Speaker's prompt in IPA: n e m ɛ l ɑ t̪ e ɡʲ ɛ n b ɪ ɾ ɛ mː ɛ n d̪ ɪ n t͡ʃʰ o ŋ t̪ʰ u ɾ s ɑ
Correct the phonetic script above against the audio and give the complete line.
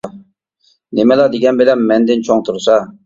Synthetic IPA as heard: n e m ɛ l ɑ d̪ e ɡʲ ɛ n b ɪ l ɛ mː ɛ n d̪ ɪ n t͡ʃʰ o ŋ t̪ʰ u ɾ s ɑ